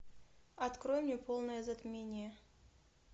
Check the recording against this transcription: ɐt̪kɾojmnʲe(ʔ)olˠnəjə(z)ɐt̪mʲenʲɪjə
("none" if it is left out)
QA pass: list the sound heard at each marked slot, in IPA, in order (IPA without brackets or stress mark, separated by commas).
p, z